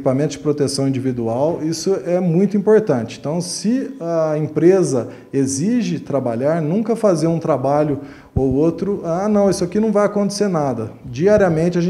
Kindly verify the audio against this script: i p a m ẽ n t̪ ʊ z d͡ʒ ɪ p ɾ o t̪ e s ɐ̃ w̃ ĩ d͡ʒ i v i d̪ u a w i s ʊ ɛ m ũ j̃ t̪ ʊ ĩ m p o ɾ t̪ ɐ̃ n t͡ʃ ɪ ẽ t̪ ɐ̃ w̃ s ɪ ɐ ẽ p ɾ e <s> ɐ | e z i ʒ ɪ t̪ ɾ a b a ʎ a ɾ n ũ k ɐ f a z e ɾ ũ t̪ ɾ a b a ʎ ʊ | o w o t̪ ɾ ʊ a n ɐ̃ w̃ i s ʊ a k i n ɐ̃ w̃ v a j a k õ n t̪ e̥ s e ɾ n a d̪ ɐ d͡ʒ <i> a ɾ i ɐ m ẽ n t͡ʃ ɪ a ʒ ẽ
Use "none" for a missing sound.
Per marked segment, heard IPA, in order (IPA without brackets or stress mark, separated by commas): z, i